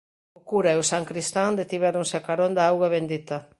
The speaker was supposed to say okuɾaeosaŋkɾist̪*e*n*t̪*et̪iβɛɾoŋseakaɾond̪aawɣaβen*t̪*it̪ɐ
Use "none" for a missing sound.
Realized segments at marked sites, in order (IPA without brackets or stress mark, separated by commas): a, d̪, d̪